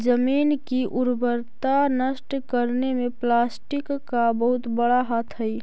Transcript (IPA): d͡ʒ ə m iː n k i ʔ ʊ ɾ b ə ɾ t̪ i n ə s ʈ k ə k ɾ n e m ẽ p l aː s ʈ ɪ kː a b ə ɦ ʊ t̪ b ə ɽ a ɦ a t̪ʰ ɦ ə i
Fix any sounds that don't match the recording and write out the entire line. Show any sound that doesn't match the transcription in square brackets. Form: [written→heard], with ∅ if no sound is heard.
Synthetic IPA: d͡ʒ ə m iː n k i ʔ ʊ ɾ b ə ɾ t̪ [i→a] n ə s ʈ k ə [k→∅] ɾ n e m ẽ p l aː s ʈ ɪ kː a b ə ɦ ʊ t̪ b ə ɽ a ɦ a t̪ʰ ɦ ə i